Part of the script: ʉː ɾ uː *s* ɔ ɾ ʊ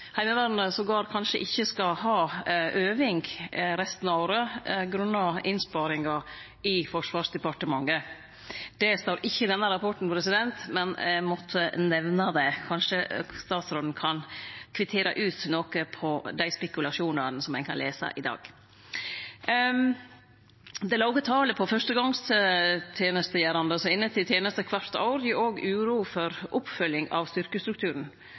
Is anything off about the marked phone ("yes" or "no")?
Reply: yes